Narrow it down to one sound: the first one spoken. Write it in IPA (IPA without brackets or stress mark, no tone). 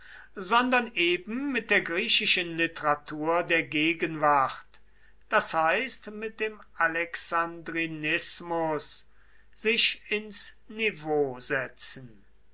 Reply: z